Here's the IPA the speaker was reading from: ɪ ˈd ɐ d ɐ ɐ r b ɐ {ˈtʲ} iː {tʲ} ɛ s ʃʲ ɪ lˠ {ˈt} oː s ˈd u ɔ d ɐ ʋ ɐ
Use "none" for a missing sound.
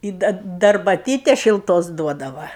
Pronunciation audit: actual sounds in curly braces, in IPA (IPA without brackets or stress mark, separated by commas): tʲ, tʲ, t